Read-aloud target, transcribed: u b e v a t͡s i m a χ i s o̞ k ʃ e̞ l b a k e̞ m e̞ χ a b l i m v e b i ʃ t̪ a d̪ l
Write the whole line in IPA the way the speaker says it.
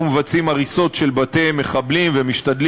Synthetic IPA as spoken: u m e v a t͡s i m a ʁ i s o̞ t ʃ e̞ l b a t e̞ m e̞ χ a b l i m v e m i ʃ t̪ a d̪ l